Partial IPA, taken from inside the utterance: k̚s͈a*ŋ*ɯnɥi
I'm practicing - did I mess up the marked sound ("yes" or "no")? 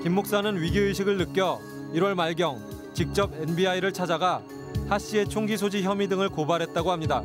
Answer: yes